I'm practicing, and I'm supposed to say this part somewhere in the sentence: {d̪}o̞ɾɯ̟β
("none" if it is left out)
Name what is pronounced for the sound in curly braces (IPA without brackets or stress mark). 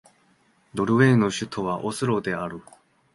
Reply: d̪